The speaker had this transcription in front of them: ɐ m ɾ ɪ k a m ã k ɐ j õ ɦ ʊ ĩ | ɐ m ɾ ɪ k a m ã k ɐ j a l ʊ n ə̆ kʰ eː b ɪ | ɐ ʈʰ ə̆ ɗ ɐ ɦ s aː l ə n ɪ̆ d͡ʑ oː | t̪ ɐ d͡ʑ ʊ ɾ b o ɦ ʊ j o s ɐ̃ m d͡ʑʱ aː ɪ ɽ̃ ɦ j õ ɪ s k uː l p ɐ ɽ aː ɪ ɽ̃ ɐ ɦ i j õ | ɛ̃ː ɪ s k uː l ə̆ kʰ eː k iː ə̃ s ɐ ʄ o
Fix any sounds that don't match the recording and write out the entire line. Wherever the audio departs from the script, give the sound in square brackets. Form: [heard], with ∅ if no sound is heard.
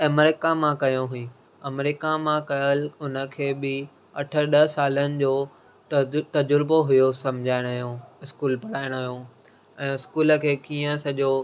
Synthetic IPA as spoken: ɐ m ɾ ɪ k a m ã k ɐ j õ ɦ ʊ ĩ | ɐ m ɾ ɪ k a m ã k ɐ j [ə] l ʊ n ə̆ kʰ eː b ɪ | ɐ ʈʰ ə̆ ɗ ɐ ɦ s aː l ə n ɪ̆ d͡ʑ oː | t̪ ɐ d͡ʑ ʊ ɾ b o ɦ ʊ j o s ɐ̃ m d͡ʑʱ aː ɪ ɽ̃ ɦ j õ ɪ s k uː l p ɐ ɽ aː ɪ ɽ̃ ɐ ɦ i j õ | ɛ̃ː ɪ s k uː l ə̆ kʰ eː k iː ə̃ s ɐ ʄ o